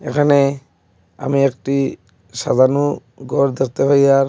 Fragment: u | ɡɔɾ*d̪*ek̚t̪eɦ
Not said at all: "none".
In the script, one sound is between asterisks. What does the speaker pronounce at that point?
d̪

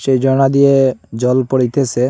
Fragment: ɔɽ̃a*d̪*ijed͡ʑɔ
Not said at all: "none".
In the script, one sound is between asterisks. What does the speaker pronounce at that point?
d̪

